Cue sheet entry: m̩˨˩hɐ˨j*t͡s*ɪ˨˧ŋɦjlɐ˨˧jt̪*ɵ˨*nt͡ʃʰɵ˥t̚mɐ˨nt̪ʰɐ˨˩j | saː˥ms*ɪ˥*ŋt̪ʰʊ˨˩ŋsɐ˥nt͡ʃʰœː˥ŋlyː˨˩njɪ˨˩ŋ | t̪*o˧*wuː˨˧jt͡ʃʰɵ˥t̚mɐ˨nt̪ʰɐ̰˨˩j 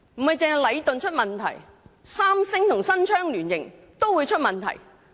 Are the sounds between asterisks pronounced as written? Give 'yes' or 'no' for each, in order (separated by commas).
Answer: yes, yes, yes, no